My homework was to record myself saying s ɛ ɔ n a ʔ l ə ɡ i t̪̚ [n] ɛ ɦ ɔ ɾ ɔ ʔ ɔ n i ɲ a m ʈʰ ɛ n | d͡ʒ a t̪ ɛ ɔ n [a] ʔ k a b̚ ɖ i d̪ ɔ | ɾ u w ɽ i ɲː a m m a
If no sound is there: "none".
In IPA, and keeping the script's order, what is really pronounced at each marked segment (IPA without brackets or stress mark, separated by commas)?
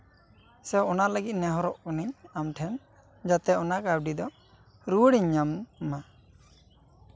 n, a